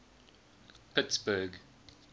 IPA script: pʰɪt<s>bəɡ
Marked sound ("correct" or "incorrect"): correct